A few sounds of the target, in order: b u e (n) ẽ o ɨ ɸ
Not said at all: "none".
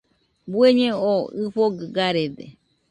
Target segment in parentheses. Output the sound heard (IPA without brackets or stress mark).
ɲ